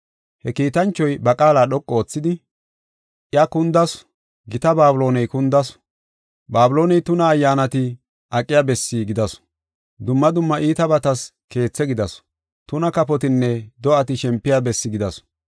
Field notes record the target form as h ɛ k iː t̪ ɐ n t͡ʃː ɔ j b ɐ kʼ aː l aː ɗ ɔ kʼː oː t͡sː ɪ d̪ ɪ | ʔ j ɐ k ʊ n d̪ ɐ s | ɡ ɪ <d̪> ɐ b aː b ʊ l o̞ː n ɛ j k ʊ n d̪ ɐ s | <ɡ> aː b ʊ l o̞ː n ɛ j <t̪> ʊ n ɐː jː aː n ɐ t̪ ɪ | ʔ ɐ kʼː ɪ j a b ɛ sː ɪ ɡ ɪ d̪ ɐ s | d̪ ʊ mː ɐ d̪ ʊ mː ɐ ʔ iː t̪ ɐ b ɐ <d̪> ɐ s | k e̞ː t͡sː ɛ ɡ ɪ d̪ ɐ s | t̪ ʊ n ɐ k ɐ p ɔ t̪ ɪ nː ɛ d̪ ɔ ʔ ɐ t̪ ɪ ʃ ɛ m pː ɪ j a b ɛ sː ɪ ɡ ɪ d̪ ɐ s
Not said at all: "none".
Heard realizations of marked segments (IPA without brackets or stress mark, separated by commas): t̪, b, t̪, t̪